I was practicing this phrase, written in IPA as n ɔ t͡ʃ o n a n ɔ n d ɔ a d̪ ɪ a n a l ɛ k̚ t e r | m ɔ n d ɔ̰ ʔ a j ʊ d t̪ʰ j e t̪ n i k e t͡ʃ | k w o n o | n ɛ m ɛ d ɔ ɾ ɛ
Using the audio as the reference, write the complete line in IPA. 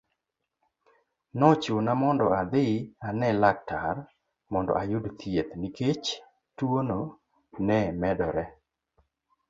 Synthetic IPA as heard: n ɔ t͡ʃ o n a m ɔ n d ɔ a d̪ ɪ a n ɛ l a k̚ t a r | m ɔ n d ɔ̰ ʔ a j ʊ d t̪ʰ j e t̪ n i k e t͡ʃ | t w o n o | n ɛ m ɛ d ɔ ɾ ɛ